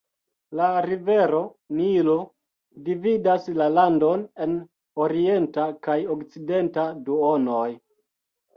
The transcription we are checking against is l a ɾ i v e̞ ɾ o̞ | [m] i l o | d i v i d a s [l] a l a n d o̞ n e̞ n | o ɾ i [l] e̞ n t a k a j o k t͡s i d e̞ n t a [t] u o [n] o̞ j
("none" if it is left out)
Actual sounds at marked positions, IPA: n, l, none, d, n

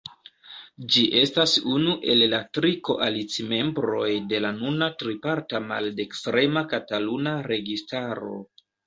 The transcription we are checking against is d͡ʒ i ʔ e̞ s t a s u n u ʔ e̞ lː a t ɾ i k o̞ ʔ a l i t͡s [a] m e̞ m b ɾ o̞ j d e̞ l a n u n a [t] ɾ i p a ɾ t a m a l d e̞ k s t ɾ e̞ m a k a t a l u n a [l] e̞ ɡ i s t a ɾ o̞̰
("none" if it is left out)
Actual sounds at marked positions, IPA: i, t, ɾ

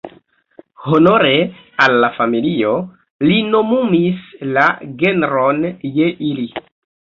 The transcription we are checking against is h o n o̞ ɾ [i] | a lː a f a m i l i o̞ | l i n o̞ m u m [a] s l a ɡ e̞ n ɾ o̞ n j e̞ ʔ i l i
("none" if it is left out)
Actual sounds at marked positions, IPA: e, i

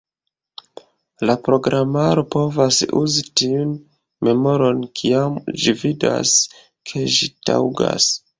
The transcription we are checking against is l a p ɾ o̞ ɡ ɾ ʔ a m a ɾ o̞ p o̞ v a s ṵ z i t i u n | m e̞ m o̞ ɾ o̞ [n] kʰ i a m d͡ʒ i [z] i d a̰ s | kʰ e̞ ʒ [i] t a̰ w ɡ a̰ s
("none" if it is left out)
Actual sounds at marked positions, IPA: n, v, i

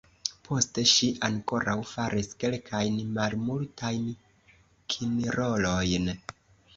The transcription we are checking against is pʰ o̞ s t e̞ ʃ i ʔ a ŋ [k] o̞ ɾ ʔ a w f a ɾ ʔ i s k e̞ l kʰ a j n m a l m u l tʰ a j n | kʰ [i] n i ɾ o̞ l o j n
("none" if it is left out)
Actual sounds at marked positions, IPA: k, i

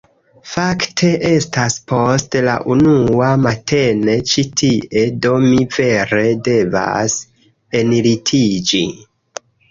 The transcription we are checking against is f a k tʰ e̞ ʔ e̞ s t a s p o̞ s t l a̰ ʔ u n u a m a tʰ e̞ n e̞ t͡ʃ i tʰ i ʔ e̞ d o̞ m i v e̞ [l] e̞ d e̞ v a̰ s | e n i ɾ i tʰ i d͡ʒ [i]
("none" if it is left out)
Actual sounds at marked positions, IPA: ɾ, i

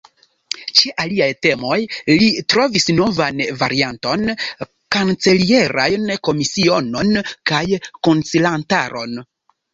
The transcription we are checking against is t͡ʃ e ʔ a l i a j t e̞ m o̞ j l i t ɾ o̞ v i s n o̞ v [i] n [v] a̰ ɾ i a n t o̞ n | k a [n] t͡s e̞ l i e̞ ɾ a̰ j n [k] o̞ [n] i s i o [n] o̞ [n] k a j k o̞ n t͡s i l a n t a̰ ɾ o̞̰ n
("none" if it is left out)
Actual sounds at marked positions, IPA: a, v, n, k, m, n, n

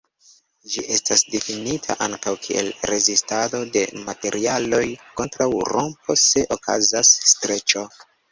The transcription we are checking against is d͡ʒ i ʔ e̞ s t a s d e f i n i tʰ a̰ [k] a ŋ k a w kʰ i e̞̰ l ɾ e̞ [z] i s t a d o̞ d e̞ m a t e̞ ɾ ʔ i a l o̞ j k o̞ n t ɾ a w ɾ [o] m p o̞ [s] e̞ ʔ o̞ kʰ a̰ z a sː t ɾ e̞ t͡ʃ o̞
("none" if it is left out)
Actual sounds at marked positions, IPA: ʔ, z, o, s

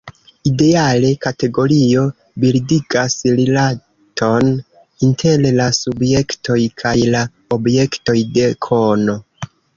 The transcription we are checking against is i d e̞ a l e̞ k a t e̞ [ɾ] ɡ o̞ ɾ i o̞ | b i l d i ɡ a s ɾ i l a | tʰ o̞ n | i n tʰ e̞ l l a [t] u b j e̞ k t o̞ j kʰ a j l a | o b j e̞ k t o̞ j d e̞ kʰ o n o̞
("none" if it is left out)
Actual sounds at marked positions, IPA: none, s

